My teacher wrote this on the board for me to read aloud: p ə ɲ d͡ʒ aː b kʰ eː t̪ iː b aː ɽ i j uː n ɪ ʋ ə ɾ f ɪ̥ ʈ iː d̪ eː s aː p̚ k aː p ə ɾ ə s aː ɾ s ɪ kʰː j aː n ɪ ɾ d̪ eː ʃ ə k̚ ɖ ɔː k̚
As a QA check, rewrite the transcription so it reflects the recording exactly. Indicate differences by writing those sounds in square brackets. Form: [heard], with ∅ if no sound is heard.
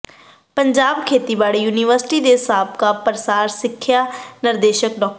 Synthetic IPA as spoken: p ə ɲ d͡ʒ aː b kʰ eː t̪ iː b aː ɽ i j uː n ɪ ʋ ə ɾ [s] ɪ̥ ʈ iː d̪ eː s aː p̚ k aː p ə ɾ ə s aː ɾ s ɪ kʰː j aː n ɪ ɾ d̪ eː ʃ ə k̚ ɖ ɔː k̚

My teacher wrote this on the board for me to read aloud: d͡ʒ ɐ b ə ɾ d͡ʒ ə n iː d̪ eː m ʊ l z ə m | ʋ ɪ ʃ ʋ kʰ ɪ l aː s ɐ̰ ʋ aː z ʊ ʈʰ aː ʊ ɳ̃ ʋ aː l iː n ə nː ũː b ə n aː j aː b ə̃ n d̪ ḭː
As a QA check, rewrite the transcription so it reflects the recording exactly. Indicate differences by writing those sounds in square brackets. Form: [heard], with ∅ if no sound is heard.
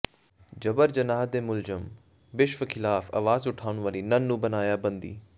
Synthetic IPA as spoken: d͡ʒ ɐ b ə ɾ d͡ʒ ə n [aː] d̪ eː m ʊ l z ə m | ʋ ɪ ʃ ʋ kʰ ɪ l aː [f] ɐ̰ ʋ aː z ʊ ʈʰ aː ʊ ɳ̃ ʋ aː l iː n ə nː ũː b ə n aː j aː b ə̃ n d̪ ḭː

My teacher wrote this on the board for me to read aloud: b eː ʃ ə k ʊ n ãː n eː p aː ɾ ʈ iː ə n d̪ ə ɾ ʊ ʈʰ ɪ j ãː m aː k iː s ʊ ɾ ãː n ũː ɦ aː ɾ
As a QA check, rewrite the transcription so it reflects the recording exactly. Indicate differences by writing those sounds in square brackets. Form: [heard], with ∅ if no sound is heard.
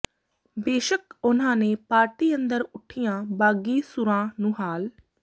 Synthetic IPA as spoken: b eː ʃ ə k ʊ n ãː n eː p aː ɾ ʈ iː ə n d̪ ə ɾ ʊ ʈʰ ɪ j ãː [b] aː [ɡ] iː s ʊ ɾ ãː n ũː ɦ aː [l]

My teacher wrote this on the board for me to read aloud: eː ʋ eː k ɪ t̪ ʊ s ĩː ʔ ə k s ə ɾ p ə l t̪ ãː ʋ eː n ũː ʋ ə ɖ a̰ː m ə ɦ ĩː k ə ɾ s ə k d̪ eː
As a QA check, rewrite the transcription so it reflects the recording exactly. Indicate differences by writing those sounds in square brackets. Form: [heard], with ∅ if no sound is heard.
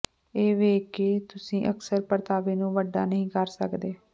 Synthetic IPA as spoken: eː ʋ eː k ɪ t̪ ʊ s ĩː ʔ ə k s ə ɾ p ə [ɾ] t̪ [aː] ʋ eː n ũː ʋ ə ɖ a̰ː [n] ə ɦ ĩː k ə ɾ s ə k d̪ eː

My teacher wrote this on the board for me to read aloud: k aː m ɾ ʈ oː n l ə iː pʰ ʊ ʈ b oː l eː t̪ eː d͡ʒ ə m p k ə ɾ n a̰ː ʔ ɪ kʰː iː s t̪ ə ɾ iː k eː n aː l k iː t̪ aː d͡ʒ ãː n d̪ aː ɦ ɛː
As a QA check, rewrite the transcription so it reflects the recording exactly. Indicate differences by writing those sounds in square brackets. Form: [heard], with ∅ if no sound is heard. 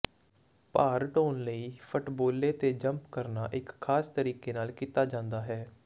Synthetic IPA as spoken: [p] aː [∅] ɾ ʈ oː n l ə iː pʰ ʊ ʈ b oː l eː t̪ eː d͡ʒ ə m p k ə ɾ n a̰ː ʔ ɪ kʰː [aː] s t̪ ə ɾ iː k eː n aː l k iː t̪ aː d͡ʒ ãː n d̪ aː ɦ ɛː

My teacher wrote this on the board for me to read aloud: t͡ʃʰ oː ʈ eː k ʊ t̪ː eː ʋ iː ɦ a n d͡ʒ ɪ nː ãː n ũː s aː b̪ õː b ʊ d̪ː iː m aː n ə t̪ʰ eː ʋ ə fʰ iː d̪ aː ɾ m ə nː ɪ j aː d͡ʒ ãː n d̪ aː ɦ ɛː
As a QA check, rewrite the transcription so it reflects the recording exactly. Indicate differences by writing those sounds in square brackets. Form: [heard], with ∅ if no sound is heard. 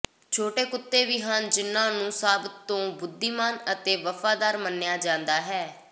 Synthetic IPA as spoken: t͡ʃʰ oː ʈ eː k ʊ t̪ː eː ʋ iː ɦ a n d͡ʒ ɪ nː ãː n ũː s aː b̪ õː b ʊ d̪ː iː m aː n ə [t̪] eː ʋ ə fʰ [aː] d̪ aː ɾ m ə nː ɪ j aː d͡ʒ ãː n d̪ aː ɦ ɛː

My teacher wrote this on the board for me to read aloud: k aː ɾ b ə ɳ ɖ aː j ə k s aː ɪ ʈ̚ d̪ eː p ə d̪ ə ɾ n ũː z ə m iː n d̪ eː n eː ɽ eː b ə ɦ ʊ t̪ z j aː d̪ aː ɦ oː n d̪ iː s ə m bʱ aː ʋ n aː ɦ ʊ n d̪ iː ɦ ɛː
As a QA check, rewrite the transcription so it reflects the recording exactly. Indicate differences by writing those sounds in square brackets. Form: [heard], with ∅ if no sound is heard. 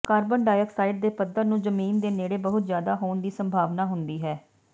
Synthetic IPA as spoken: k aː ɾ b ə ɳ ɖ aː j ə k s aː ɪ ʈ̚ d̪ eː p ə d̪ ə ɾ n ũː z ə m iː n d̪ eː n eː ɽ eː b ə ɦ ʊ t̪ z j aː d̪ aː ɦ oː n d̪ iː s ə m bʱ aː ʋ n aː ɦ ʊ n d̪ iː ɦ ɛː

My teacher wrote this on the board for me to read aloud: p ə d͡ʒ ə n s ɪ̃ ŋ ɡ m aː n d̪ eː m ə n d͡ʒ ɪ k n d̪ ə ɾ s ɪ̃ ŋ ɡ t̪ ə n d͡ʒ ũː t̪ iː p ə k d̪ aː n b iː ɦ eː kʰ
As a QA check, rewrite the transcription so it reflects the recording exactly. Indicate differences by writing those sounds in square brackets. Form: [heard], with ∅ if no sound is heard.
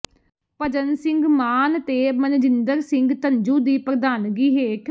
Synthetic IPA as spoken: p ə d͡ʒ ə n s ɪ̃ ŋ ɡ m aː n [t̪] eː m ə n d͡ʒ ɪ [∅] n d̪ ə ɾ s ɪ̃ ŋ ɡ t̪ ə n d͡ʒ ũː [d̪] iː p ə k d̪ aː n [ɡ] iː ɦ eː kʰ

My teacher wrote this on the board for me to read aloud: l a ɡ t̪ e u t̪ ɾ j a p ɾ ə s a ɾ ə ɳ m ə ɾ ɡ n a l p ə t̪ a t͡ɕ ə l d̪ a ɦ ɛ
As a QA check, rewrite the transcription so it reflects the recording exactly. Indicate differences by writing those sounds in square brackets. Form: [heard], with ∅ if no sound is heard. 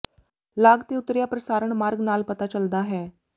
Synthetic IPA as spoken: l a ɡ t̪ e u t̪ ɾ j a p ɾ ə s a ɾ ə ɳ m [a] ɾ ɡ n a l p ə t̪ a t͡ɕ ə l d̪ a ɦ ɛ

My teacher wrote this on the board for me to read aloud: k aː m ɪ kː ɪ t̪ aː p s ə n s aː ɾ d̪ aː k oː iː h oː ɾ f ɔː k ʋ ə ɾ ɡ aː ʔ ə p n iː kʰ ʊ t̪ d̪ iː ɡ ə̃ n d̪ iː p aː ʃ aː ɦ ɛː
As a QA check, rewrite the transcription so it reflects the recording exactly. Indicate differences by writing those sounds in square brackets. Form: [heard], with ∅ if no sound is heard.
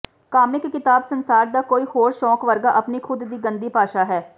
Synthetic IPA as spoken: k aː m ɪ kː ɪ t̪ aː [b] s ə n s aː ɾ d̪ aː k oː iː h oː ɾ [ʃ] ɔː k ʋ ə ɾ ɡ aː ʔ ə p n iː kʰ ʊ [d̪] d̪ iː ɡ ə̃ n d̪ iː p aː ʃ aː ɦ ɛː

